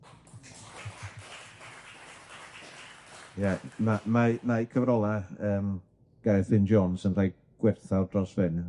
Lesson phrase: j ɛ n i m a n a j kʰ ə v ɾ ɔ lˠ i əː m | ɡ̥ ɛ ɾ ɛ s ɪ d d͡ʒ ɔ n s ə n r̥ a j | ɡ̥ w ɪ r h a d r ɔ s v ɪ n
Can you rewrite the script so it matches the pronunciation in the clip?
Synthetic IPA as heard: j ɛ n a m a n a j kʰ ə v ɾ ɔ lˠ a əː m | ɡ̥ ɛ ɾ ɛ θ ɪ n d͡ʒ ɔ n s ə n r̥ a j | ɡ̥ w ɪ r θ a d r ɔ s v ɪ n